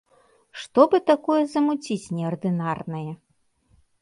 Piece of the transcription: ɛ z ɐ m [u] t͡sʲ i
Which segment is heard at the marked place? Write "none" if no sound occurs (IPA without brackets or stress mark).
u